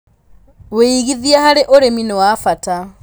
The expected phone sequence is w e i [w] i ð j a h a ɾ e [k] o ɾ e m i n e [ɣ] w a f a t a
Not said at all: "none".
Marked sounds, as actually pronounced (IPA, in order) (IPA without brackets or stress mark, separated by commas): ɣ, ʔ, none